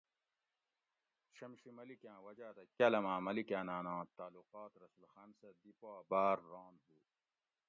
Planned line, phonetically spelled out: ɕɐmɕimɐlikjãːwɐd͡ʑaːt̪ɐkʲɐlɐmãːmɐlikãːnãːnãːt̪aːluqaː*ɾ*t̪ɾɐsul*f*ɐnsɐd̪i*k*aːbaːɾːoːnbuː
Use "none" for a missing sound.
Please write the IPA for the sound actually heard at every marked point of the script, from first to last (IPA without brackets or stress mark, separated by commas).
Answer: none, x, p